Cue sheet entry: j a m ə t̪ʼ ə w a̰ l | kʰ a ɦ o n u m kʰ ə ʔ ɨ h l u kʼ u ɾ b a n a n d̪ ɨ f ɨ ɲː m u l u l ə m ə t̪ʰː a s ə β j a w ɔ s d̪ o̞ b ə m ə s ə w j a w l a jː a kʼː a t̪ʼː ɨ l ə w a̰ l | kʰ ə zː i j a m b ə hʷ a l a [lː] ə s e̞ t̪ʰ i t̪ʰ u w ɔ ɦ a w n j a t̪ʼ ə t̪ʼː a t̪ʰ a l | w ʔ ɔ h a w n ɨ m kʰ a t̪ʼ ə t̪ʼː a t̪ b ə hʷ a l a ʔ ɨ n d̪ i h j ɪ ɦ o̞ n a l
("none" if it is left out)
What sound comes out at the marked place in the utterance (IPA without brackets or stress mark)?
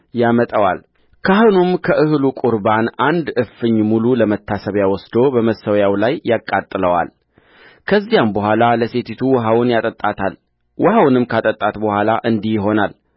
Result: l